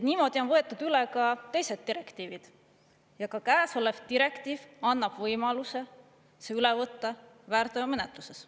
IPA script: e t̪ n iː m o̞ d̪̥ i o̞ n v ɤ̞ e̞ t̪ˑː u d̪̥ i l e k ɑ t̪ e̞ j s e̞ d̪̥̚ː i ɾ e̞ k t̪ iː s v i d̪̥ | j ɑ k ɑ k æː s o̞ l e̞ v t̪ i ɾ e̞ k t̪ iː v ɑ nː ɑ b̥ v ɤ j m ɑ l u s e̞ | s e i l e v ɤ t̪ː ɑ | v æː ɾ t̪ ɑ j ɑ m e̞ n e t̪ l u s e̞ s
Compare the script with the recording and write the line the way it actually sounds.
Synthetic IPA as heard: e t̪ n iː m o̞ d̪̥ i o̞ n v ɤ̞ e̞ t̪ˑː u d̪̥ y l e k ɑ t̪ e̞ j s e̞ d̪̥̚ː i ɾ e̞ k t̪ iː v i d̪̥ | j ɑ k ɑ k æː s o̞ l e̞ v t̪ i ɾ e̞ k t̪ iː v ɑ nː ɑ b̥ v ɤ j m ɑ l u s e̞ | s e y l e v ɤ t̪ː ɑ | v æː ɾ t̪ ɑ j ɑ m e̞ n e t̪ l u s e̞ s